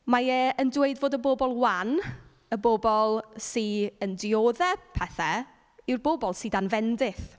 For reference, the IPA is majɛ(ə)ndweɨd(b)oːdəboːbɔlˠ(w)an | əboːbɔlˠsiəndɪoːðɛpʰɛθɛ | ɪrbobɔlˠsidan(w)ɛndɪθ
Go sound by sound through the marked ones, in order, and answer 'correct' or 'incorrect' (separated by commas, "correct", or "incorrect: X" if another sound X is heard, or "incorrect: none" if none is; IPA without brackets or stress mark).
correct, incorrect: v, correct, incorrect: v